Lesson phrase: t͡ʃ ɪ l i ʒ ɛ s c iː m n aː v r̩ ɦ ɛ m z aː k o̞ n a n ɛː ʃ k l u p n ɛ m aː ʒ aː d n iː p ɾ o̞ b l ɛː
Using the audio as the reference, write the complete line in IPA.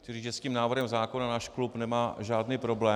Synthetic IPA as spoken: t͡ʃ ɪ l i ʒ ɛ s c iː m n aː v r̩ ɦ ɛ m z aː k o̞ n a n aː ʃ k l u p n ɛ m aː ʒ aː d n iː p ɾ o̞ b l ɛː